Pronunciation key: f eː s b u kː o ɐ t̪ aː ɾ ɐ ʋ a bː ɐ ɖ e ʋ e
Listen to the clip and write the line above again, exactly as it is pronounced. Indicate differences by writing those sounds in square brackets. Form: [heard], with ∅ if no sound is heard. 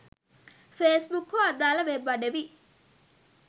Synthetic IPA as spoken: f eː s b u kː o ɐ [d̪] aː [l] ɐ ʋ [e] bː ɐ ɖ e ʋ [i]